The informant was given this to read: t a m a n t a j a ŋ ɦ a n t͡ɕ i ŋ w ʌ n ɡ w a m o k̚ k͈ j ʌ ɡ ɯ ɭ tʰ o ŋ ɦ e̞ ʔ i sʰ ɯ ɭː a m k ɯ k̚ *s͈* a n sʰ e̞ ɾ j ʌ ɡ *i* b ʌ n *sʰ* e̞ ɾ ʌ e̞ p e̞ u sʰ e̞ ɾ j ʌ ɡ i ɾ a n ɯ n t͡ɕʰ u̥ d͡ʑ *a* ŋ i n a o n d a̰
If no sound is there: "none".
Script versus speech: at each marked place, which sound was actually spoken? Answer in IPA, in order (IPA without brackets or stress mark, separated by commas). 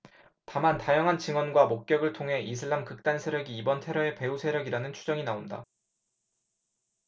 t͈, iː, tʰ, ʌ